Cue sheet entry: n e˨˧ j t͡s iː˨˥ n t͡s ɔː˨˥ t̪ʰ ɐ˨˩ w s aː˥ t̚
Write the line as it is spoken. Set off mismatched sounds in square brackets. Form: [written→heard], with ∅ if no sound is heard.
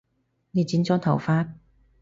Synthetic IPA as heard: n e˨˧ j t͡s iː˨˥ n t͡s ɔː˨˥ t̪ʰ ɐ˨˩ w [s→f] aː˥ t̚